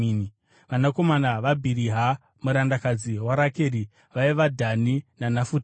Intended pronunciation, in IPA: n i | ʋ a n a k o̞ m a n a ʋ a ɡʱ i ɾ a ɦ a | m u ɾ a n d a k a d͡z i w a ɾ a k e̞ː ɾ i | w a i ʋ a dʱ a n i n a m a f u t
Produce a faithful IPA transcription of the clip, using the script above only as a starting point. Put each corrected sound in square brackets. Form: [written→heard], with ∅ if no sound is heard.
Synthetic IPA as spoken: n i | ʋ a n a k o̞ m a n a ʋ a [ɡʱ→bʱ] i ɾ [a→i] ɦ a | m u ɾ a n d a k a d͡z i w a ɾ a k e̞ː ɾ i | [w→ʋ] a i ʋ a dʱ a n i n a [m→n] a f u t